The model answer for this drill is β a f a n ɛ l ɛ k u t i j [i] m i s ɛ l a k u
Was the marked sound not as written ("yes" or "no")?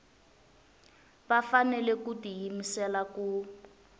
no